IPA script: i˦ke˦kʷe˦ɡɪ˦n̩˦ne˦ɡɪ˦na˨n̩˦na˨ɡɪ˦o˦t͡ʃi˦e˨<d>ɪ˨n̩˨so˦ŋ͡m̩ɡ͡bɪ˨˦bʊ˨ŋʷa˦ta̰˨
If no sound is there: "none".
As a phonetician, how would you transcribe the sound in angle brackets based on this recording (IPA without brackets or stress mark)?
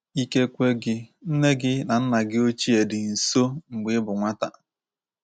d